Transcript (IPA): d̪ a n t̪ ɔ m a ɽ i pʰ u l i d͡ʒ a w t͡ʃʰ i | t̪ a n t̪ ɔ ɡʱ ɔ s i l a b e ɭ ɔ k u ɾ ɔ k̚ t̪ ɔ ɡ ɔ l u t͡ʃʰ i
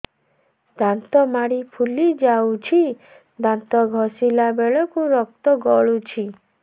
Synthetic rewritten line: d̪ a n t̪ ɔ m a ɽ i pʰ u l i d͡ʒ a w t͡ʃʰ i | d̪ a n t̪ ɔ ɡʱ ɔ s i l a b e ɭ ɔ k u ɾ ɔ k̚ t̪ ɔ ɡ ɔ ɭ u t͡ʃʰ i